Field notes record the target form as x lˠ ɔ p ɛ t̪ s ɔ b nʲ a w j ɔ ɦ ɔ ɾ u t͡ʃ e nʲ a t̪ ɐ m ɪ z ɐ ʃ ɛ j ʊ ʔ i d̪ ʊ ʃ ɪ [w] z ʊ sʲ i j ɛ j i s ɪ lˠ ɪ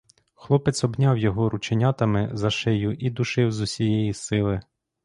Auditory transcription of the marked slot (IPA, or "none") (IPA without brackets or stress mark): w